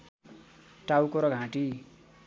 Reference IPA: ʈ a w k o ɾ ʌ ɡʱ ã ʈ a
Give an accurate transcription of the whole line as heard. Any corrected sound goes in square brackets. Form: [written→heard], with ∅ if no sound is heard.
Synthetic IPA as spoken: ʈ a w k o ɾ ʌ ɡʱ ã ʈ [a→i]